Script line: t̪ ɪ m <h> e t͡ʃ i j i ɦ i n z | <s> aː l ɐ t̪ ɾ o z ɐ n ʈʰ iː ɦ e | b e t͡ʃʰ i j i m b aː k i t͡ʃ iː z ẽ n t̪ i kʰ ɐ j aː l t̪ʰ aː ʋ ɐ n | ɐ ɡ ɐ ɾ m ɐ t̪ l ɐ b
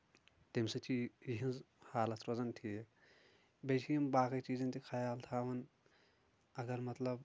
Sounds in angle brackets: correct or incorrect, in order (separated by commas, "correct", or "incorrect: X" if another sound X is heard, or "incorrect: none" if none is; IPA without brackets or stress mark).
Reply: incorrect: s, incorrect: h